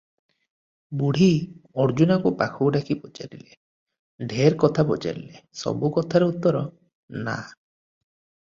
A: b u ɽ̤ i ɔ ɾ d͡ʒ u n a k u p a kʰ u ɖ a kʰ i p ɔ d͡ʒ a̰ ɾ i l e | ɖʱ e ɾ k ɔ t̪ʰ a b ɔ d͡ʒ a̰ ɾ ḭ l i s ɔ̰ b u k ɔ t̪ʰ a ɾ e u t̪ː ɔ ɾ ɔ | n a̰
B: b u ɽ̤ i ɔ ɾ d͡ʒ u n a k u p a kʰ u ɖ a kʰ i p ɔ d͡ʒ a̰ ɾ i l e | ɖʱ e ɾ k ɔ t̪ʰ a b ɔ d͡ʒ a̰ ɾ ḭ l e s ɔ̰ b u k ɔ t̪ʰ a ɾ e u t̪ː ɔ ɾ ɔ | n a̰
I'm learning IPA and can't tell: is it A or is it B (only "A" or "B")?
B